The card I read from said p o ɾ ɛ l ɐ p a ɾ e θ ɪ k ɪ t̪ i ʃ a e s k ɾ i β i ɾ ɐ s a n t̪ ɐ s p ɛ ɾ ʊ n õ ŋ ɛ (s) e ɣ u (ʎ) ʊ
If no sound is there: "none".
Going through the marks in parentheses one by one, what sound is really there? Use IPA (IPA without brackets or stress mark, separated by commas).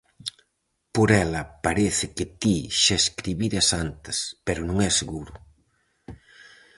s, ɾ